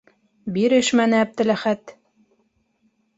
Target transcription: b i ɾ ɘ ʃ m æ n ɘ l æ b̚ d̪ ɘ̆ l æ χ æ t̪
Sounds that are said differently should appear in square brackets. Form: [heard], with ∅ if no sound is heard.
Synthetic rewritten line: b i ɾ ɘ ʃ m æ n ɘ [∅] æ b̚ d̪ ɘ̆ l æ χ æ t̪